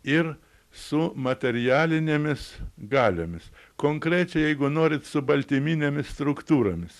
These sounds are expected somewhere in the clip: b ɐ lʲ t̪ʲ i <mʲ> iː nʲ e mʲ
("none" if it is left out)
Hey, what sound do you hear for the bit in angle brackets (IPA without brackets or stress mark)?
mʲ